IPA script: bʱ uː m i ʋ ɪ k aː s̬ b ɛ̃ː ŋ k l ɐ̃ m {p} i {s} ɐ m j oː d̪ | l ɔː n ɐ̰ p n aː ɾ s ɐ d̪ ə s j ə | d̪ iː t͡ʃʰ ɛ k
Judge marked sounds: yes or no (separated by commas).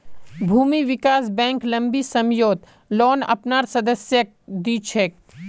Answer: no, yes